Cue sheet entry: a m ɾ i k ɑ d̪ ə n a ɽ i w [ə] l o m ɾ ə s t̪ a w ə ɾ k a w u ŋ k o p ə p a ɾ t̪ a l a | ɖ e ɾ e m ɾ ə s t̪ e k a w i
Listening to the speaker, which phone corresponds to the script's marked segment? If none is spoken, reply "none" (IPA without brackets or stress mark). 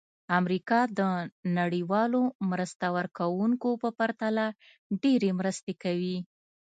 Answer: ɑ